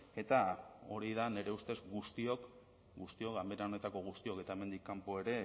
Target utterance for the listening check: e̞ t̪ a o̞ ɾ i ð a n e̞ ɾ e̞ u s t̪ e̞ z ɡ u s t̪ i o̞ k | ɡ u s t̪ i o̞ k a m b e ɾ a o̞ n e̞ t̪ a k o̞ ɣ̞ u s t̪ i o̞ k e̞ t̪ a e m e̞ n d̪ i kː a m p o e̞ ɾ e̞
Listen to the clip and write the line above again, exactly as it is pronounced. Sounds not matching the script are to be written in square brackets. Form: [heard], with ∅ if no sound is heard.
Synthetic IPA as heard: e̞ t̪ a o̞ ɾ i ð a n e̞ ɾ e̞ u s t̪ e̞ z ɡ u s t̪ i o̞ k | ɡ u s t̪ i o̞ k a m b e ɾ a o̞ n e̞ t̪ a k o̞ ɣ̞ u s t̪ i o̞ k e̞ t̪ a e m e̞ n d̪ i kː a m p o e̞ ɾ e̞

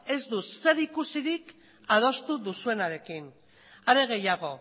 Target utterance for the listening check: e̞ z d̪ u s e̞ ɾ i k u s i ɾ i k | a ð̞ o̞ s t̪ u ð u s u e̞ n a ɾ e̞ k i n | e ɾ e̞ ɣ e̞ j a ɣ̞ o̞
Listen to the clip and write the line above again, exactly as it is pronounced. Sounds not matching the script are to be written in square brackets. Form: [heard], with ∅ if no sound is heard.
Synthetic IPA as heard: e̞ z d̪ u s e̞ ɾ i k u s i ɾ i k | a ð̞ o̞ s t̪ u ð u s u e̞ n a ɾ e̞ k i n | [a] ɾ e̞ ɣ e̞ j a ɣ̞ o̞

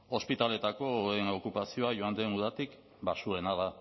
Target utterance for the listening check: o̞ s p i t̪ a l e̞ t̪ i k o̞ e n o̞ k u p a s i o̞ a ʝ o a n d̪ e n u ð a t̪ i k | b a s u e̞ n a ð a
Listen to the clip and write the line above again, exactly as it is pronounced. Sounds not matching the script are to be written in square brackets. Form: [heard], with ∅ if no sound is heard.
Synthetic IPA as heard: o̞ s p i t̪ a l e̞ t̪ [a] k o̞ e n o̞ k u p a s i o̞ a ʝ o a n d̪ e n u ð a t̪ i k | b a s u e̞ n a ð a

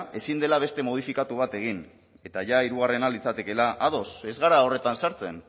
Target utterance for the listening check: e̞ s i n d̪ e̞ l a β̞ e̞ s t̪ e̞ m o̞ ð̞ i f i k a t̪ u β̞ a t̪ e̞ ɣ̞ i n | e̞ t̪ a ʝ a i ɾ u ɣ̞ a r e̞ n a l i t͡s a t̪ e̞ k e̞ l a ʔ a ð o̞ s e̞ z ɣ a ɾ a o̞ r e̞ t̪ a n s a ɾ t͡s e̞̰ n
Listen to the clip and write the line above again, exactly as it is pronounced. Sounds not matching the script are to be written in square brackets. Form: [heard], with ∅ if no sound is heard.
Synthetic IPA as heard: e̞ s i n d̪ e̞ l a β̞ e̞ s t̪ e̞ m o̞ ð̞ i f i k a t̪ u β̞ a t̪ e̞ ɣ̞ i n | e̞ t̪ a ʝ a i ɾ u ɣ̞ a r e̞ n a l i t͡s a t̪ e̞ k e̞ l a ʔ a ð o̞ s e̞ z ɣ a ɾ a o̞ r e̞ t̪ a n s a ɾ t͡s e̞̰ n

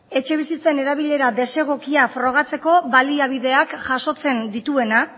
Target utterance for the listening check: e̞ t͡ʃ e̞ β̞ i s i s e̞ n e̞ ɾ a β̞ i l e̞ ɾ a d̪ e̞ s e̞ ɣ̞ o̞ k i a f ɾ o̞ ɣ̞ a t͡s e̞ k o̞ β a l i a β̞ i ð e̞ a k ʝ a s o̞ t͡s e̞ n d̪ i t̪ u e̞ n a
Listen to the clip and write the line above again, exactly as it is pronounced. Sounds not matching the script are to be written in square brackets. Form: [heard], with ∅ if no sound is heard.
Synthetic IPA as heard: e̞ t͡ʃ e̞ β̞ i s i [t͡s] e̞ n e̞ ɾ a β̞ i [ʎ] e̞ ɾ a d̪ e̞ s e̞ ɣ̞ o̞ k i a f ɾ o̞ ɣ̞ a t͡s e̞ k o̞ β a l i a β̞ i ð e̞ a k ʝ a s o̞ t͡s e̞ n d̪ i t̪ u e̞ n a

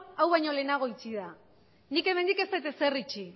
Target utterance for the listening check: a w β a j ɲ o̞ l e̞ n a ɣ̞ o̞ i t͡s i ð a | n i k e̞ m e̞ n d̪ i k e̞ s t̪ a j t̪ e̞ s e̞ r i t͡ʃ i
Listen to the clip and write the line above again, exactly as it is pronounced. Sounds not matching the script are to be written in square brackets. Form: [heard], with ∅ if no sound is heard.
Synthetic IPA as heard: a w β a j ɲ o̞ l e̞ n a ɣ̞ o̞ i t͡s i ð a | n i k e̞ m e̞ n d̪ i k e̞ s t̪ a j t̪ e̞ s e̞ r i t͡ʃ i

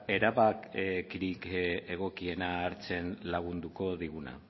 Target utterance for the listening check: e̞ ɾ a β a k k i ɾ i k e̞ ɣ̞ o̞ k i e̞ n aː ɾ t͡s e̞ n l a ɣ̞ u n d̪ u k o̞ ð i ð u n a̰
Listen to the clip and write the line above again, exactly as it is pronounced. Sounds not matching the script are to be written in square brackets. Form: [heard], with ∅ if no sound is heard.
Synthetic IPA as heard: e̞ ɾ a β a k k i ɾ i k e̞ ɣ̞ o̞ k i e̞ n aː ɾ t͡s e̞ n l a ɣ̞ u n d̪ u k o̞ ð i [ɣ] u n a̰

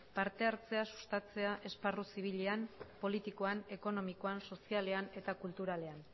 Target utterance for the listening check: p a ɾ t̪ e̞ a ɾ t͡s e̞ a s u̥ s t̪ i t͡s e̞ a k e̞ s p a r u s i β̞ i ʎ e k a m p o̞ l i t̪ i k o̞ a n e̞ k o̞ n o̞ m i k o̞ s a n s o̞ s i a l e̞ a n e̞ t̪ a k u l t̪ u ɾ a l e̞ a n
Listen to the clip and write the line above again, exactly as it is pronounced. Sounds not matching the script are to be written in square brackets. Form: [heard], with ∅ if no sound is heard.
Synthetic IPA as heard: p a ɾ t̪ e̞ a ɾ t͡s e̞ a s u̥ s t̪ [a] t͡s e̞ a [ʔ] e̞ s p a r u s i β̞ i ʎ e [∅] a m p o̞ l i t̪ i k o̞ a n e̞ k o̞ n o̞ m i k o̞ [∅] a n s o̞ s i a l e̞ a n e̞ t̪ a k u l t̪ u ɾ a l e̞ a n

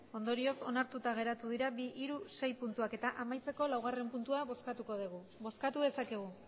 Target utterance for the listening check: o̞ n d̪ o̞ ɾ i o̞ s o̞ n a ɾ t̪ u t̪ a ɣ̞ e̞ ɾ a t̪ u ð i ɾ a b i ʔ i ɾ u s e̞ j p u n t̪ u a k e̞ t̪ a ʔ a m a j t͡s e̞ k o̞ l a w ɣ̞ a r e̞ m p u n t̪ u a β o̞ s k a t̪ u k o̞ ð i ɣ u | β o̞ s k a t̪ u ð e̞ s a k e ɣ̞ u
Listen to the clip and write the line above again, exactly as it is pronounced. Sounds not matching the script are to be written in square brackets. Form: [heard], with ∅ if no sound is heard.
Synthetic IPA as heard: o̞ n d̪ o̞ ɾ i o̞ s o̞ n a ɾ t̪ u t̪ a ɣ̞ e̞ ɾ a t̪ u ð i ɾ a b i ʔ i ɾ u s e̞ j p u n t̪ u a k e̞ t̪ a ʔ a m a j t͡s e̞ k o̞ l a w ɣ̞ a r e̞ m p u n t̪ u a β o̞ s k a t̪ u k o̞ ð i ɣ u | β o̞ s k a t̪ u ð e̞ s a k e ɣ̞ u

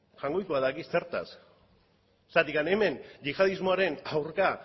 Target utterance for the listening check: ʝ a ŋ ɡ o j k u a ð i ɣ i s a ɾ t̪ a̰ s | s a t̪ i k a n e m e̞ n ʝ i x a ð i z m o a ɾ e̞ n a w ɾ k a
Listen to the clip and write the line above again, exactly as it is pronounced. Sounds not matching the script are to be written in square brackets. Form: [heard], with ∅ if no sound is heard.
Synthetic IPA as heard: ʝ a ŋ ɡ o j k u a ð [a] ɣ i s [e] ɾ t̪ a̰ s | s a t̪ i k a n e m e̞ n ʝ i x a ð i z m o a ɾ e̞ n a w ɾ k a

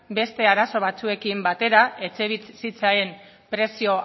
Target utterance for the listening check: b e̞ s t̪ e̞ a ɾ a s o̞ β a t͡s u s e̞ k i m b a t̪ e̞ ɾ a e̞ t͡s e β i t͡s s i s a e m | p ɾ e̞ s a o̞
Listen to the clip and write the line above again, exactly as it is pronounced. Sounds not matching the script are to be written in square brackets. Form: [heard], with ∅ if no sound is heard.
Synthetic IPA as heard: b e̞ s t̪ e̞ a ɾ a s o̞ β a t͡s u [∅] e̞ k i m b a t̪ e̞ ɾ a e̞ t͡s e β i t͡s s i [t͡s] a e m | p ɾ e̞ s [i] o̞

